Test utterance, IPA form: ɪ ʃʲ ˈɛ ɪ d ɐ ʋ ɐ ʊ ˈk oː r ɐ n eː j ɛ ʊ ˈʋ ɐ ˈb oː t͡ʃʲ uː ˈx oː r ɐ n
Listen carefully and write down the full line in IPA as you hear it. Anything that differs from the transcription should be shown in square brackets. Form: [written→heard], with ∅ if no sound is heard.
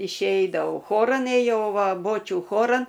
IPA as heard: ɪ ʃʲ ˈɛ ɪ d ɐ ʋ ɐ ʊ [ˈk→ˈx] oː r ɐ n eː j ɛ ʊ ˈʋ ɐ ˈb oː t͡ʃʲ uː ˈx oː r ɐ n